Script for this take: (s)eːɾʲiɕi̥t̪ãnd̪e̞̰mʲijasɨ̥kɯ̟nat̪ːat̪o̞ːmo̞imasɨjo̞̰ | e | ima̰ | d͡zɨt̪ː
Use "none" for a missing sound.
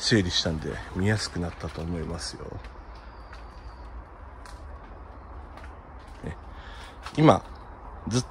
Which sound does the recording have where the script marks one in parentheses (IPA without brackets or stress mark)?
s